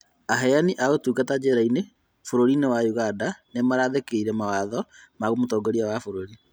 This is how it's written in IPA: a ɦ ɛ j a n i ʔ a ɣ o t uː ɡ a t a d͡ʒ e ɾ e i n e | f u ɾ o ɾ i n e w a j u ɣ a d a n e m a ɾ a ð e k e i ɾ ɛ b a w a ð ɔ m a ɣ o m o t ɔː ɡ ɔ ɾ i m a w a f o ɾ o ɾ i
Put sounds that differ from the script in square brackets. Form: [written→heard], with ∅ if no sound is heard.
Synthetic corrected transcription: a ɦ ɛ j a n i ʔ a ɣ o t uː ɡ a t a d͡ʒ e ɾ [e→a] i n e | f [u→o] ɾ o ɾ i n e w a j u ɣ a d a n e m a ɾ a ð e k e i ɾ ɛ [b→m] a w a ð ɔ m a ɣ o m o t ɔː ɡ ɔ ɾ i [m→∅] a w a f o ɾ o ɾ i